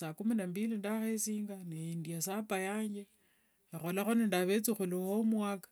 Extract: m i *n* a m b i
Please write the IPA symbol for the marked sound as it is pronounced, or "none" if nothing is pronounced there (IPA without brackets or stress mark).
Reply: n